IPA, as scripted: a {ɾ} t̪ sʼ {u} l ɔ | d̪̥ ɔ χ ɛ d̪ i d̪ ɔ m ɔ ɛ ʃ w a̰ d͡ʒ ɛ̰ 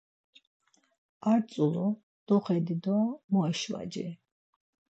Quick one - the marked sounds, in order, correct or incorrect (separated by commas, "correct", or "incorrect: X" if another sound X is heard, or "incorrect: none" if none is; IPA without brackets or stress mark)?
correct, correct